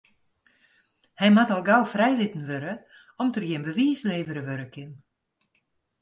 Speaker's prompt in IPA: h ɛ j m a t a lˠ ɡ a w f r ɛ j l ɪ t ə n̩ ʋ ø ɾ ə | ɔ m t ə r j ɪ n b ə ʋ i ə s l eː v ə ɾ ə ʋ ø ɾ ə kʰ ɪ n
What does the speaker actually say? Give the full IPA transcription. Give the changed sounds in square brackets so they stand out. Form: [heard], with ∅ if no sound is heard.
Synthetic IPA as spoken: h ɛ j m a t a lˠ ɡ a w f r ɛ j l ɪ t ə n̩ ʋ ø ɾ ə | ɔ m t ə r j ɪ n b ə ʋ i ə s l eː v ə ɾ ə ʋ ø ɾ ə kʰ ɪ n